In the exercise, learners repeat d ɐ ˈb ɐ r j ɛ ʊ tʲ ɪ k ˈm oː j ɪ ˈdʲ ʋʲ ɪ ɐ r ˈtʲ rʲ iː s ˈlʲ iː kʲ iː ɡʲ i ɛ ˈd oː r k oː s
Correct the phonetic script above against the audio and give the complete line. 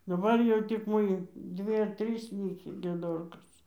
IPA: d ɐ ˈb ɐ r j ɛ ʊ tʲ ɪ k ˈm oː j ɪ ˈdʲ ʋʲ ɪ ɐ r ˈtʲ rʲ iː s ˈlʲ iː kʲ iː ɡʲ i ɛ ˈd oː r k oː s

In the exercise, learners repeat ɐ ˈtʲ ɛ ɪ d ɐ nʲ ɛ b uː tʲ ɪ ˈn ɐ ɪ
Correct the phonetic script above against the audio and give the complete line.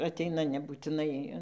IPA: ɐ ˈtʲ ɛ ɪ n ɐ nʲ ɛ b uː tʲ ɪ ˈn ɐ ɪ

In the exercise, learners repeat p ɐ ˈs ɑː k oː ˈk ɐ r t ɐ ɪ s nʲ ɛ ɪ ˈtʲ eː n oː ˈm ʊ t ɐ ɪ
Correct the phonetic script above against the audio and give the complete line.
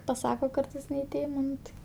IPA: p ɐ ˈs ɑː k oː ˈk ɐ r t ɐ ɪ s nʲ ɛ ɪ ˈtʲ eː m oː ˈn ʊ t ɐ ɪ

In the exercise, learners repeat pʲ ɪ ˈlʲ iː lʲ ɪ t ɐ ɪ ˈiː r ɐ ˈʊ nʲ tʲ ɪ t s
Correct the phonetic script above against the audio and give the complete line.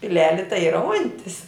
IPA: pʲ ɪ ˈlʲ æː lʲ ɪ t ɐ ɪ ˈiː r ɐ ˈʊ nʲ tʲ ɪ s

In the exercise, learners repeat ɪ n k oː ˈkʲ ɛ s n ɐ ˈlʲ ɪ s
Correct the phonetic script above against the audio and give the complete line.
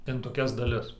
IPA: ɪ n t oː ˈkʲ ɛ s d ɐ ˈlʲ ɪ s

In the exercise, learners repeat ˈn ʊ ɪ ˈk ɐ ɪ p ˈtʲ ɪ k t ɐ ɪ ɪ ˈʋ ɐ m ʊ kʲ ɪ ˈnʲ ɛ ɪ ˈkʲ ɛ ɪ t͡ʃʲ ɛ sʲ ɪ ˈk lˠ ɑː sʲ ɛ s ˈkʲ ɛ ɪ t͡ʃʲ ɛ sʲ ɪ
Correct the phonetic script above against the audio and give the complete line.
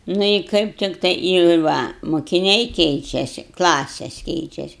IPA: ˈn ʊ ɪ ˈk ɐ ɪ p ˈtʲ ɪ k t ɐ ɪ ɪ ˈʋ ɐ m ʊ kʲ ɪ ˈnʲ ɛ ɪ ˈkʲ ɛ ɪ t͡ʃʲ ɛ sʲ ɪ ˈk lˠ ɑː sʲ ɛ s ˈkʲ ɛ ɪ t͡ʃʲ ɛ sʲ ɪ

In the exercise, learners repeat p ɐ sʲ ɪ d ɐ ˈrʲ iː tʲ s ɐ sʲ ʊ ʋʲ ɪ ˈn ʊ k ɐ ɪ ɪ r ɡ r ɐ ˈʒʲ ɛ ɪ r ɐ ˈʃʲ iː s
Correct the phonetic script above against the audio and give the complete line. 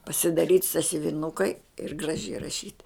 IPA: p ɐ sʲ ɪ d ɐ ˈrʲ iː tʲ s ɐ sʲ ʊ ʋʲ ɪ ˈn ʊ k ɐ ɪ ɪ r ɡ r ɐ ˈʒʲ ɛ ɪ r ɐ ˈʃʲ iː t

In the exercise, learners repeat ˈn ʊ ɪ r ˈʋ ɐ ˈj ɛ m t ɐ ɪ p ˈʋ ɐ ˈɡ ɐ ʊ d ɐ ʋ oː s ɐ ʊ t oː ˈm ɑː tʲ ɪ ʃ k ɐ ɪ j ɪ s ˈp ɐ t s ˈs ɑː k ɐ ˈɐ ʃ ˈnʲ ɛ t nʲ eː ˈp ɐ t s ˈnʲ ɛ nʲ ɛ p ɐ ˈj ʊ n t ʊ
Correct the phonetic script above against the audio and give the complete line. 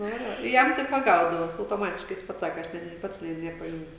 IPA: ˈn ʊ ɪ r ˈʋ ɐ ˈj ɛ m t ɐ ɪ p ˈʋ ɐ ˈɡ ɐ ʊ d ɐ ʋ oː s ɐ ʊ t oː ˈm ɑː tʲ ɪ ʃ k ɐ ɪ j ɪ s ˈp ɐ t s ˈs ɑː k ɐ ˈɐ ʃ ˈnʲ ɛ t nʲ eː ˈp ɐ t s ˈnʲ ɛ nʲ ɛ p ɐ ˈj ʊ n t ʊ

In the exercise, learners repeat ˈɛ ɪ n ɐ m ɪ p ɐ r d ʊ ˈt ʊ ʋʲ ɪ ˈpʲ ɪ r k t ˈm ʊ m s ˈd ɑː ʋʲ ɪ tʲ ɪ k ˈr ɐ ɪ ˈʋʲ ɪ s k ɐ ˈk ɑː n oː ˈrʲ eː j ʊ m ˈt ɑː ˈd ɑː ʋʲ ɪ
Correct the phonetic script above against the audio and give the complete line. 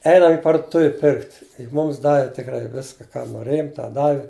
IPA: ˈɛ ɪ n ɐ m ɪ p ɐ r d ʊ ˈt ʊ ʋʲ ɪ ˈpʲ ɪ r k t ˈm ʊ m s ˈd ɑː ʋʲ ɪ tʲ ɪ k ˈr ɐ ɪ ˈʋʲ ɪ s k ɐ ˈk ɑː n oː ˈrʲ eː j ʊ m ˈt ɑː ˈd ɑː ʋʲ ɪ

